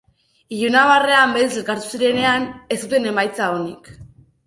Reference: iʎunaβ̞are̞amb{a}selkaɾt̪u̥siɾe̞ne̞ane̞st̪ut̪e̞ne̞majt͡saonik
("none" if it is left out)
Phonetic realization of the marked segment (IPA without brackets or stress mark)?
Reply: e